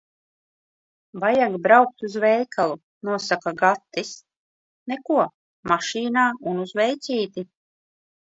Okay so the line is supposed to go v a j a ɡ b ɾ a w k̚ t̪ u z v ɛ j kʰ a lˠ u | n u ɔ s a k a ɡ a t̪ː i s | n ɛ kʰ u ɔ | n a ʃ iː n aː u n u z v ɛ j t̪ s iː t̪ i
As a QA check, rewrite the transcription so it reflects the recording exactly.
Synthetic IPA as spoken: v a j a ɡ b ɾ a w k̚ t̪ u z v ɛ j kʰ a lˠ u | n u ɔ s a k a ɡ a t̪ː i s | n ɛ k u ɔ | m a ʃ iː n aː u n u z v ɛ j t̪ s iː t̪ i